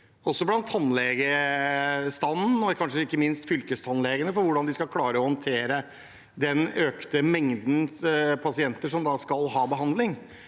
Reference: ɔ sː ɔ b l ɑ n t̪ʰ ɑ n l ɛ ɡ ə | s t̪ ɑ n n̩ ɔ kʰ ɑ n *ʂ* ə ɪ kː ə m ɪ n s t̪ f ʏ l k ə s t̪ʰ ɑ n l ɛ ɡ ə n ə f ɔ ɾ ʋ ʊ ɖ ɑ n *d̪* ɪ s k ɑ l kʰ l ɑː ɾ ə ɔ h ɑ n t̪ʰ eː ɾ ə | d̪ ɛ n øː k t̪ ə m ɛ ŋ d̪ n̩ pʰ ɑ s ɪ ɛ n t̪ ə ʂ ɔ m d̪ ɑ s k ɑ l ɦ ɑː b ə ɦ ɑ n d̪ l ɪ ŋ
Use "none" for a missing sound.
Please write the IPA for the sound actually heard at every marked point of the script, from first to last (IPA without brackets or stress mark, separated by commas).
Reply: ʂ, d̪